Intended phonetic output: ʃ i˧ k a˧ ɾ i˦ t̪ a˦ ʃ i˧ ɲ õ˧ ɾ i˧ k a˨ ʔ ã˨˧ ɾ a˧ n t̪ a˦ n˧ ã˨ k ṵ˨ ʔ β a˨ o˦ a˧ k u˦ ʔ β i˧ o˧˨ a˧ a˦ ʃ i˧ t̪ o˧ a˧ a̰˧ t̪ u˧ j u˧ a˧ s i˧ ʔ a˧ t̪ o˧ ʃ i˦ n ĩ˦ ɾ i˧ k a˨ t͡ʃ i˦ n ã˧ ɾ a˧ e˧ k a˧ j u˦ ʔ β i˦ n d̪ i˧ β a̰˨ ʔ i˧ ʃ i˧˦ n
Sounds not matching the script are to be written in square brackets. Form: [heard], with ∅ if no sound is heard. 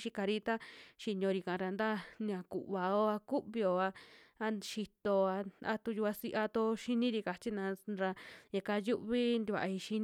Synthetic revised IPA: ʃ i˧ k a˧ ɾ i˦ t̪ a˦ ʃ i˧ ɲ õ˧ ɾ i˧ k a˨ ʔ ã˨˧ ɾ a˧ n [d̪] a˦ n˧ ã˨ k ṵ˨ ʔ β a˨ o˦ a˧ k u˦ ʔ β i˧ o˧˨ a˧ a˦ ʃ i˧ t̪ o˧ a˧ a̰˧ t̪ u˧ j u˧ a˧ s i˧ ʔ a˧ t̪ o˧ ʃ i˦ n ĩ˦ ɾ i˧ k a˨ t͡ʃ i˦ n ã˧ ɾ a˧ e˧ k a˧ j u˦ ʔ β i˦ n d̪ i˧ β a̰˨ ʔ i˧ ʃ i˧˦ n